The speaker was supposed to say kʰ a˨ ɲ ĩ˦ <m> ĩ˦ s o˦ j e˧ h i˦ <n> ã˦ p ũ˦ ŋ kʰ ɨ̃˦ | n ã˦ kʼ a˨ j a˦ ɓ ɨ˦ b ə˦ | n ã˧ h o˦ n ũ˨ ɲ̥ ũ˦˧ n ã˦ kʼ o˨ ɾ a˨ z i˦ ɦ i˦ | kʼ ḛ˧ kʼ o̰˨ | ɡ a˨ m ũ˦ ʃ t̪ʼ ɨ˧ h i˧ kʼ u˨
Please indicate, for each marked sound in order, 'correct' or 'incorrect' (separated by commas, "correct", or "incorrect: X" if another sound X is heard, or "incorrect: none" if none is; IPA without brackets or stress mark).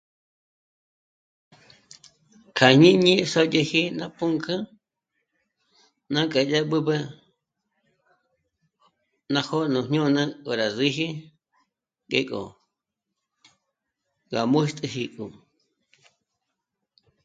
incorrect: ɲ, correct